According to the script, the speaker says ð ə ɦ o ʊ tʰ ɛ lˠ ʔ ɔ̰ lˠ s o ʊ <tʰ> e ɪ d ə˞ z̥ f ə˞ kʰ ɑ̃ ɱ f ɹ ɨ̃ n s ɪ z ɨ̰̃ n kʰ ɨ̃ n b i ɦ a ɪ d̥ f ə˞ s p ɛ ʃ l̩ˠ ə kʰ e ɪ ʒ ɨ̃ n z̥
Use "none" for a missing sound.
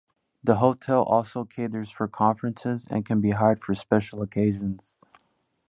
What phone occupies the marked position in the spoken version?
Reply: kʰ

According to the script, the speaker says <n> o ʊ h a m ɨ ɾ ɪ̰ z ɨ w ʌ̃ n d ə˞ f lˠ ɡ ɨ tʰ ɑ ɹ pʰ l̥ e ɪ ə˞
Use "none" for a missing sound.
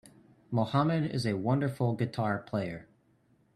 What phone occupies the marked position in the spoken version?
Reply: m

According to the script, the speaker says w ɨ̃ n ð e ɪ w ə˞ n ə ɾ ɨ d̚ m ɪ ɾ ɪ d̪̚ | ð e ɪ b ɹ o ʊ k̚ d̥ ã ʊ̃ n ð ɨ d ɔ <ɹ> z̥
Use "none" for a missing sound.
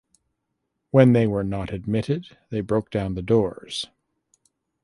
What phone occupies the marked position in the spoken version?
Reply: ɹ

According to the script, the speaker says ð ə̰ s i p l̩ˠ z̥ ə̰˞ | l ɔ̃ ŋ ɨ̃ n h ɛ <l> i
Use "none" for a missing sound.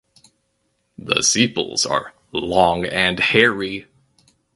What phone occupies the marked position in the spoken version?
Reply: ɹ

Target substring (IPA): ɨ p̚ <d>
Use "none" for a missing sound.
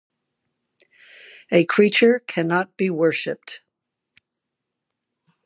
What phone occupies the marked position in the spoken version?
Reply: t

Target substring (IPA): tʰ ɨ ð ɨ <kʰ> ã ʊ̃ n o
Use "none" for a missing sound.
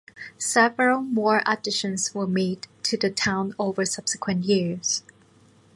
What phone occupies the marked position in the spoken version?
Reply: tʰ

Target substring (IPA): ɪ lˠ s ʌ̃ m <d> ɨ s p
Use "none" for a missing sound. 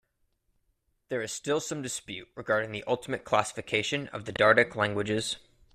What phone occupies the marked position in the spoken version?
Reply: d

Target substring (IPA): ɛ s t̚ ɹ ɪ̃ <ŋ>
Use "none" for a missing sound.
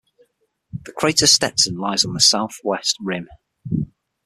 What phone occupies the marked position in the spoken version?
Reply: m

